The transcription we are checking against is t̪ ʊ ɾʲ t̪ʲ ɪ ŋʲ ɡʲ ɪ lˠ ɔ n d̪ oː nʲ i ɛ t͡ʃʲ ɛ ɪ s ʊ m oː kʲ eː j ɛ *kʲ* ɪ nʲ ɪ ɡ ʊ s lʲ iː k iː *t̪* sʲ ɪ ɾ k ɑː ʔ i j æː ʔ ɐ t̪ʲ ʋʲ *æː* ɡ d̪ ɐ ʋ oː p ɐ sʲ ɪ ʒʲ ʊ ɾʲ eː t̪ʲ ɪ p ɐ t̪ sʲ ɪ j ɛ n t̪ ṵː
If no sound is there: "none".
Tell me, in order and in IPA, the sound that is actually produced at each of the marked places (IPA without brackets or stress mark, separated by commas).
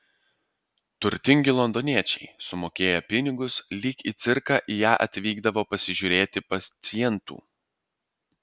pʲ, t̪, iː